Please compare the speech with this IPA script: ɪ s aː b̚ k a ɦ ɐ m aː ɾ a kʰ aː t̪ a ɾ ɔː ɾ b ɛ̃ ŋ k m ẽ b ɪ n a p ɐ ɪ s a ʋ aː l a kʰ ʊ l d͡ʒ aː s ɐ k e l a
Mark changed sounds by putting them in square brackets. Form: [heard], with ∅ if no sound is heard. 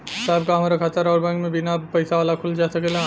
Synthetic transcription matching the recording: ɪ s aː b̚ k a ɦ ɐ m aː ɾ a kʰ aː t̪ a ɾ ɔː ɾ b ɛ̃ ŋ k m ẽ b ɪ n a p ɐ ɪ s a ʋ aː l a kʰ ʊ l d͡ʒ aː s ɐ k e l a